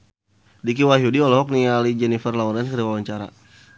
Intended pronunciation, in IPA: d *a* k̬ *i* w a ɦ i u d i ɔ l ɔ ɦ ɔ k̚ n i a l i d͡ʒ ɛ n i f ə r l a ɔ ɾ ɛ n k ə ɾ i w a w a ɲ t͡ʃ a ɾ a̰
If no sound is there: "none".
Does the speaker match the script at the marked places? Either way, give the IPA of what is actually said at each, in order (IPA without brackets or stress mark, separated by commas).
i, i